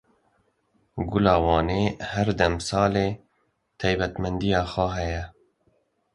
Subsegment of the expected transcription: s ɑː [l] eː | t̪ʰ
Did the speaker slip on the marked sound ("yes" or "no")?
no